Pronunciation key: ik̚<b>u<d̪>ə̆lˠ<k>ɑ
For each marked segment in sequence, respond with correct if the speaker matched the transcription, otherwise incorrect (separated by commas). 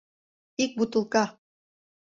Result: correct, incorrect, correct